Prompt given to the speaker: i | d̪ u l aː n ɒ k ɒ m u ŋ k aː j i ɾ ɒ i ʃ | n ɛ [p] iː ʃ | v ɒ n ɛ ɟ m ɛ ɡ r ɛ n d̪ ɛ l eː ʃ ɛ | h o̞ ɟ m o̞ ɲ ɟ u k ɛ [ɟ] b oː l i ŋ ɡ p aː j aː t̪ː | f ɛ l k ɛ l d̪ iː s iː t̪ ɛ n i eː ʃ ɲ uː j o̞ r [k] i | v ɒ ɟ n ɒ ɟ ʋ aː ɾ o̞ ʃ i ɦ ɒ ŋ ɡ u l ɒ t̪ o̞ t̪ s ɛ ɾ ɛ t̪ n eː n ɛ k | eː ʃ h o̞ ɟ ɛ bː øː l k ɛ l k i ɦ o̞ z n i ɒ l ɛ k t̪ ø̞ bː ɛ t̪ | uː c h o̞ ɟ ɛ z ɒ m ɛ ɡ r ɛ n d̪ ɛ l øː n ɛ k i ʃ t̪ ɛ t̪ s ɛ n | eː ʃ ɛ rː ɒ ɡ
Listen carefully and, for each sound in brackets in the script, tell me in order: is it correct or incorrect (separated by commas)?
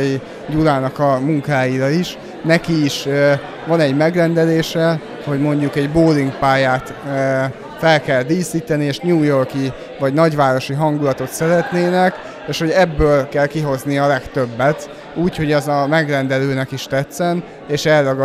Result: incorrect, correct, correct